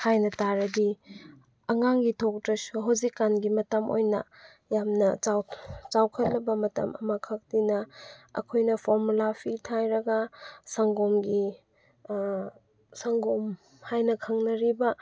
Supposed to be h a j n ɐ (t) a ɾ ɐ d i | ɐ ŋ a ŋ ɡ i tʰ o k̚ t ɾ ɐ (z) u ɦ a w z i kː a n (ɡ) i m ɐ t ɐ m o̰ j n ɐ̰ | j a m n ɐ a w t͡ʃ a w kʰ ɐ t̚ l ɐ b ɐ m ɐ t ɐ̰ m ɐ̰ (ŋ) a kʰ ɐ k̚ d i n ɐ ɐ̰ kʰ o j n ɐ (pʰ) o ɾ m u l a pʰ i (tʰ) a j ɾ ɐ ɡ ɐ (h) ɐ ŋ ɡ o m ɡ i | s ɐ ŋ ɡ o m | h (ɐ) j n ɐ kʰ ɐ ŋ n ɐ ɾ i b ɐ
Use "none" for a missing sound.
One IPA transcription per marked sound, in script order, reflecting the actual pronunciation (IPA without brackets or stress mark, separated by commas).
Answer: t, s, ɡ, m, pʰ, tʰ, s, a